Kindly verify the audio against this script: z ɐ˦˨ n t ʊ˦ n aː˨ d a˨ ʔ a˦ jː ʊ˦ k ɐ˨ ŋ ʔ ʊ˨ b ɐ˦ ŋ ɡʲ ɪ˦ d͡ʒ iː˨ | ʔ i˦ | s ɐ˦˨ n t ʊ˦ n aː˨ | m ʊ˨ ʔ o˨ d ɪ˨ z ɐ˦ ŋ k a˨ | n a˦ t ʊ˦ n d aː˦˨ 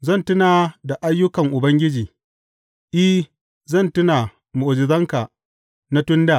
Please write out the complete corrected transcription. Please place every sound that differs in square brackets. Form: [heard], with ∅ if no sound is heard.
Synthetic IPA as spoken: z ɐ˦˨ n t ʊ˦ n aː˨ d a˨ ʔ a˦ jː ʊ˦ k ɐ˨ ŋ ʔ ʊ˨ b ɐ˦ ŋ ɡʲ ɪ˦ d͡ʒ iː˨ | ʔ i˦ | [z] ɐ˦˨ n t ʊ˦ n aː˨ | m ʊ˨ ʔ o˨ [d͡ʒ] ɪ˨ z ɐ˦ ŋ k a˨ | n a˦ t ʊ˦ n d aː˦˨